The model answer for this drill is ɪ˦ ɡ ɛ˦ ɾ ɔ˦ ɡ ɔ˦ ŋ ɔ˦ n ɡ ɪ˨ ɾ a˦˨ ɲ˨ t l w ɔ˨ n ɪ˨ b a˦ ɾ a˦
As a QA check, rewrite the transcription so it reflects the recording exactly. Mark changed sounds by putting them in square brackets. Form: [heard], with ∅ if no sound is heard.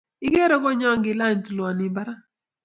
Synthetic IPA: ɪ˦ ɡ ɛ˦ ɾ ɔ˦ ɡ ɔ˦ [ɲ] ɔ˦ [ŋ] ɡ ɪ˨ [l] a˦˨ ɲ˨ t l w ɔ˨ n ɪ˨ b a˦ ɾ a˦